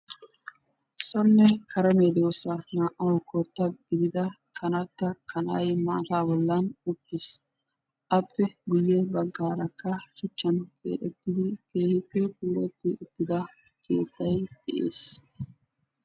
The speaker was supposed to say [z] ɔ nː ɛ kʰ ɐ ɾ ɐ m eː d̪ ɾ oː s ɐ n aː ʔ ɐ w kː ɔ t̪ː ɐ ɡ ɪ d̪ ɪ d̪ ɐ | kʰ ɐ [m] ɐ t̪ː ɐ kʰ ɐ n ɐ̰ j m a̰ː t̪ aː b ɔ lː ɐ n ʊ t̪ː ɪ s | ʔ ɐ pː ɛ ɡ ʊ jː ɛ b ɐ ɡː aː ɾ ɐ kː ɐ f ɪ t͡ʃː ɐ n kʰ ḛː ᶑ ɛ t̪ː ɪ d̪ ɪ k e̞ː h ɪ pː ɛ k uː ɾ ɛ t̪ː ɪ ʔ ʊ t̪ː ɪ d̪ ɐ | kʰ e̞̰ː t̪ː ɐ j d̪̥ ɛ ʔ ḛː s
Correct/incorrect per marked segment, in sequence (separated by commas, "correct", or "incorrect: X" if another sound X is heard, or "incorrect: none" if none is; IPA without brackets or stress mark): incorrect: s, incorrect: n